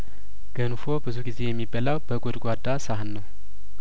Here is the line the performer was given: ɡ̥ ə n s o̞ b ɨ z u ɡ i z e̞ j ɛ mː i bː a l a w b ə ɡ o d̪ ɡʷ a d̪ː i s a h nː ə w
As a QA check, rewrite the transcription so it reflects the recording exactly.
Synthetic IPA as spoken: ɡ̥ ə n f o̞ b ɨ z u ɡ i z e̞ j ɛ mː i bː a l a w b ə ɡ o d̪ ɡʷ a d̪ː a s a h nː ə w